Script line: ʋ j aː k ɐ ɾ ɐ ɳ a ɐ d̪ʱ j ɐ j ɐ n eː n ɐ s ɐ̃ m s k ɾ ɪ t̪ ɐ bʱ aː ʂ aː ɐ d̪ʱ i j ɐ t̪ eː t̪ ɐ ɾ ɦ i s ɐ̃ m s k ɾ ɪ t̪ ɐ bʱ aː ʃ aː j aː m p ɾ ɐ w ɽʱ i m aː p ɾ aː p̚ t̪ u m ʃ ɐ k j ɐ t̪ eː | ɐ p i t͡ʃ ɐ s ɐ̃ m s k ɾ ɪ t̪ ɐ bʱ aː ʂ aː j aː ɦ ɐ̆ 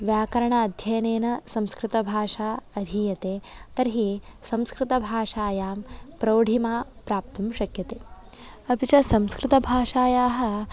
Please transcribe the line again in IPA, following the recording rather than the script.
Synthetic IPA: ʋ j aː k ɐ ɾ ɐ ɳ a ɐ d̪ʱ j ɐ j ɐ n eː n ɐ s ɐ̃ m s k ɾ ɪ t̪ ɐ bʱ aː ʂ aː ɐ d̪ʱ i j ɐ t̪ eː t̪ ɐ ɾ ɦ i s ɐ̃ m s k ɾ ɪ t̪ ɐ bʱ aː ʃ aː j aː m p ɾ ɐ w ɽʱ i m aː p ɾ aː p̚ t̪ u m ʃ ɐ k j ɐ t̪ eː | ɐ p i t͡ʃ ɐ s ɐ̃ m s k ɾ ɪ t̪ ɐ bʱ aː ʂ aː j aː ɦ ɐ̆